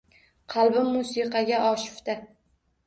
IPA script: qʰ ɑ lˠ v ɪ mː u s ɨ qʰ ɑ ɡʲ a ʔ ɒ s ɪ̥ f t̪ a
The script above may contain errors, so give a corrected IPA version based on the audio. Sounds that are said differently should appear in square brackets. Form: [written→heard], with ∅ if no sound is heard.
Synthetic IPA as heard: qʰ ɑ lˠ [v→b] ɪ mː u s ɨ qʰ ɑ ɡʲ a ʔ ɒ [s→ʃ] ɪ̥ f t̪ a